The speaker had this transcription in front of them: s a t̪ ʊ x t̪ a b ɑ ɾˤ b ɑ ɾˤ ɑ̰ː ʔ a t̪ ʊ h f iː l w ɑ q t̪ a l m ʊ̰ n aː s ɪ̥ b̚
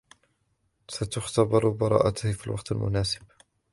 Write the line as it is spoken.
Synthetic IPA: s a t̪ ʊ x t̪ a b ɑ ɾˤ b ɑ ɾˤ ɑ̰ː ʔ a t̪ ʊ h f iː l w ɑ q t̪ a l m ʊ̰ n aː s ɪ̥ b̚